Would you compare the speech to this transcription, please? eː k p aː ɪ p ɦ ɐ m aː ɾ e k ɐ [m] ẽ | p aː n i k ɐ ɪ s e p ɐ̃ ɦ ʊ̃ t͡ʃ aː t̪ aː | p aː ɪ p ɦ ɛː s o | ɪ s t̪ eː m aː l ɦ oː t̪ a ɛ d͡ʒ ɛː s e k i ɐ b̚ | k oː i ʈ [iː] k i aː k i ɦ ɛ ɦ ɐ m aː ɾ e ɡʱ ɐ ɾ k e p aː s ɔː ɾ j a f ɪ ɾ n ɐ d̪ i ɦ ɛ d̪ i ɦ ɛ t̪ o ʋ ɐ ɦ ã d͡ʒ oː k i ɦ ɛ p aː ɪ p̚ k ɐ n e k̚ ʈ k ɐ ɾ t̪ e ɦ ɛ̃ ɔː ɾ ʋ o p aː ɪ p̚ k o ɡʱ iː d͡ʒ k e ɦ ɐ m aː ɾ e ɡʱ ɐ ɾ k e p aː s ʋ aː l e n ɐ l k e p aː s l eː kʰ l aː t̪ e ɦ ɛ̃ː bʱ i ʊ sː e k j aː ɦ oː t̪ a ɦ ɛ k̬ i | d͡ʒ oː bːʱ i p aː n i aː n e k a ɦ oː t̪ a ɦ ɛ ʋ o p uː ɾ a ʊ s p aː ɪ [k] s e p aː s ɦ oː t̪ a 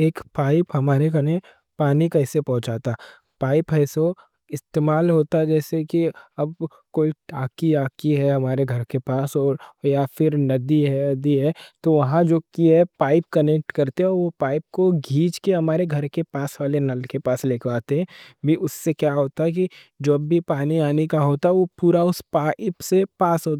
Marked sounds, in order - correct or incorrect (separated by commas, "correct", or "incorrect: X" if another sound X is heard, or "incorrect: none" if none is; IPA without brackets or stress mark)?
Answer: incorrect: n, incorrect: aː, incorrect: p